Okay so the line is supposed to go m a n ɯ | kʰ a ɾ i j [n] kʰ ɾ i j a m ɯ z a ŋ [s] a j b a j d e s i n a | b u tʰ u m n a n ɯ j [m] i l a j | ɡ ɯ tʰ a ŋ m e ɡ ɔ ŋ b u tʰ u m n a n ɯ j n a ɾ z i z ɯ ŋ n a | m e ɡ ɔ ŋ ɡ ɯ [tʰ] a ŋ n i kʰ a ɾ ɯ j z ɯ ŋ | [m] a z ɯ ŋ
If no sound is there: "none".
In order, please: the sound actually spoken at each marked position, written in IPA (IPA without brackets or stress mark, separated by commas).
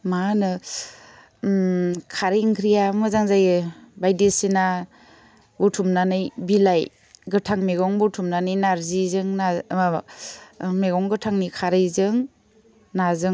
ŋ, z, b, tʰ, n